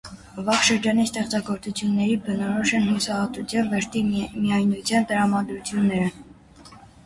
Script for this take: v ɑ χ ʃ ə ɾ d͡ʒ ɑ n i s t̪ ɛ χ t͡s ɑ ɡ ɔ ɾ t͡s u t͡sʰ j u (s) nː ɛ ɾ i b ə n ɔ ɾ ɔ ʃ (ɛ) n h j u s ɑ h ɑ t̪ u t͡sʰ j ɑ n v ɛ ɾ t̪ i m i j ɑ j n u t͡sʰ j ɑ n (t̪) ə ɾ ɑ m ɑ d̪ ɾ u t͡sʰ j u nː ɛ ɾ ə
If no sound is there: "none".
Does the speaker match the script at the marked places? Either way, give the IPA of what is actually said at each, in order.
none, ɛ, t̪

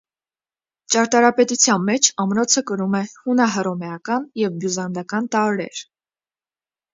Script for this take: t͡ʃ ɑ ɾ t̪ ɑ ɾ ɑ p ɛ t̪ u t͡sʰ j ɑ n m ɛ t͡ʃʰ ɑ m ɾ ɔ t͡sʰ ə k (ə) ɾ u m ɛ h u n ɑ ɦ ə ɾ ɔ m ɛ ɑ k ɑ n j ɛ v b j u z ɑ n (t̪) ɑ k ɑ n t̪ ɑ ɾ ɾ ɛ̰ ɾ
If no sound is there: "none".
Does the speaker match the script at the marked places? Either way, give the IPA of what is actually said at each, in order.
ə, d̪

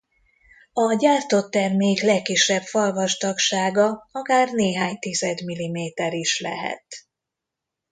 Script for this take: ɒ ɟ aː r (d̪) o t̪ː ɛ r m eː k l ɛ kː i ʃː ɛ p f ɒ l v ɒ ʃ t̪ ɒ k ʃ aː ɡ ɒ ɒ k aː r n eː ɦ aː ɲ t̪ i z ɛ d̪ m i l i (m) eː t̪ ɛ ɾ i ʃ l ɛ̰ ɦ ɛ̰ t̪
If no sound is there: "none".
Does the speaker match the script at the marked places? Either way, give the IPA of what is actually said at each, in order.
t̪, m

